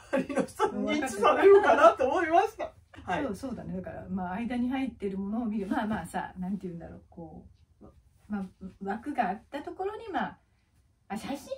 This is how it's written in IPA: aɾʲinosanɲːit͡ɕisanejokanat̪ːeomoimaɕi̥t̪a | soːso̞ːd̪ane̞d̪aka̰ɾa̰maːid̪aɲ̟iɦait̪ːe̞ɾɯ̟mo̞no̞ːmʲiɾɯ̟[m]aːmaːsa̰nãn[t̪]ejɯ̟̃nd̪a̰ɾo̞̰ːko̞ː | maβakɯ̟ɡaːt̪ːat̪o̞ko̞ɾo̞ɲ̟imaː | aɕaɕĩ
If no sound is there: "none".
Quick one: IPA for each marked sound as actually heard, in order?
m, t̪

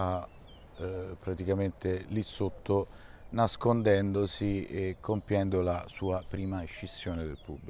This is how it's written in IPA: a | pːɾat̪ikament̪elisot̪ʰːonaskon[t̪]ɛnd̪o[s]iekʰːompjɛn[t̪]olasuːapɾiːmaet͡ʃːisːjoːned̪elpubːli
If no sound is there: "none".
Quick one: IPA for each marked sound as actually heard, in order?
d̪, s, d̪

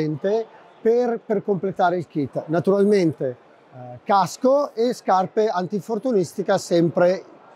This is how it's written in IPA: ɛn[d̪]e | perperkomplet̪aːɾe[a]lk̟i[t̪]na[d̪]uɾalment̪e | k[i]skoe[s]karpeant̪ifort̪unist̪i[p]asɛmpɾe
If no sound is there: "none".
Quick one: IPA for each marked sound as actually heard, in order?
t̪, i, t̪, t̪, a, s, k

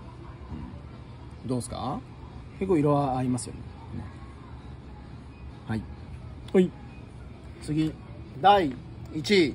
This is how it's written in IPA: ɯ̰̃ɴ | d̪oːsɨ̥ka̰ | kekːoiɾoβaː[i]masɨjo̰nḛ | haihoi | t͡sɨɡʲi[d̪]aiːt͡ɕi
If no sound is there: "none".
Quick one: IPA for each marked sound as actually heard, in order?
i, d̪

